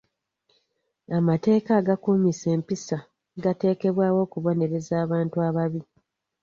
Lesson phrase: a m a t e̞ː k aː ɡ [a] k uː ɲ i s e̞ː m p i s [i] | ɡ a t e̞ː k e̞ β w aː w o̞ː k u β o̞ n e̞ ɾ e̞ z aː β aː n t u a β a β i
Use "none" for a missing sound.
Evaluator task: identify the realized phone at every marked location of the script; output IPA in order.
a, a

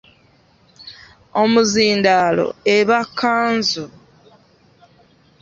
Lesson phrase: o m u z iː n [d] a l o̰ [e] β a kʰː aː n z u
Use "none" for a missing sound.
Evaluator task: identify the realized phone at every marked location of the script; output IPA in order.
d, e

